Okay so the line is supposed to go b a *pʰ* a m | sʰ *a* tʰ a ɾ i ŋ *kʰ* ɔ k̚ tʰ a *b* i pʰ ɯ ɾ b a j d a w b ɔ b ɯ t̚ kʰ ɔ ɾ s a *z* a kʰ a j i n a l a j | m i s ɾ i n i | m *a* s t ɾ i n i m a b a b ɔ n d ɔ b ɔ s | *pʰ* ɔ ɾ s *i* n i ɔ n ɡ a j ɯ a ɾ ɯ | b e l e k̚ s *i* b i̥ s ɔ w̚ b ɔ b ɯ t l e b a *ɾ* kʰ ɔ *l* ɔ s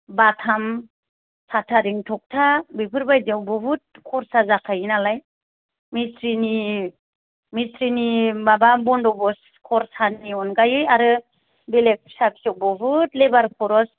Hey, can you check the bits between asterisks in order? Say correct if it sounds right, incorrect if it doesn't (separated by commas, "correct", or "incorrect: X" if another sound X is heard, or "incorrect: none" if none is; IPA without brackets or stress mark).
incorrect: tʰ, correct, incorrect: tʰ, correct, correct, incorrect: i, incorrect: kʰ, incorrect: a, incorrect: a, correct, incorrect: ɾ